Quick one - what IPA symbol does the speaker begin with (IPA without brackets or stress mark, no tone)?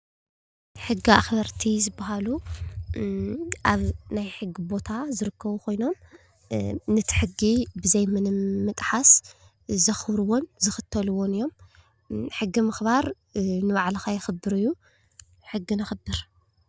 ħ